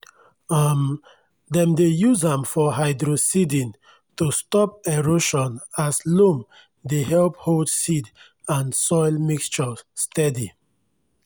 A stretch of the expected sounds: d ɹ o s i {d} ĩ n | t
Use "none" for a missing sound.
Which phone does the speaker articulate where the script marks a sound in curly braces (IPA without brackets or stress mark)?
d